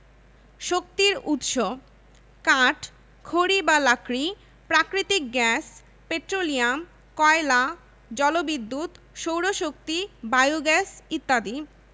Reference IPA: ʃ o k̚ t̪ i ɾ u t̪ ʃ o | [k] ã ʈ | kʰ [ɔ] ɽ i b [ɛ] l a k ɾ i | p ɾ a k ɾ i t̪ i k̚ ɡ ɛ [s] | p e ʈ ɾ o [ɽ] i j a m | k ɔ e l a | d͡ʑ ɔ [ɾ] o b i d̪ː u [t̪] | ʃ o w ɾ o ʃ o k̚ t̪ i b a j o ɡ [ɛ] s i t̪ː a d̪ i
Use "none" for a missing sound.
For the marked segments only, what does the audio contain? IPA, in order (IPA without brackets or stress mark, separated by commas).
k, o, a, s, l, l, t̪, ɛ